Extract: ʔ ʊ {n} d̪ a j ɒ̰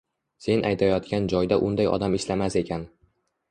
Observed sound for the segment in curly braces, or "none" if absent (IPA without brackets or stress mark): n